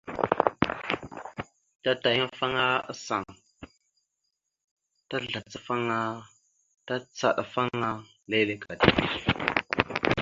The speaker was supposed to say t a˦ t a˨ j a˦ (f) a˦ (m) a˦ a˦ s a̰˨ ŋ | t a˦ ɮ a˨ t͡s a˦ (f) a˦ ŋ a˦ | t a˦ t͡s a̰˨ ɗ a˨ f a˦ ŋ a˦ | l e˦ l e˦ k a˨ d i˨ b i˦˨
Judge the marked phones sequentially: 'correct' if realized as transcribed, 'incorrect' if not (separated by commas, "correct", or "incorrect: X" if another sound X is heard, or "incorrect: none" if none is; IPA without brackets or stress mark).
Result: correct, incorrect: ŋ, correct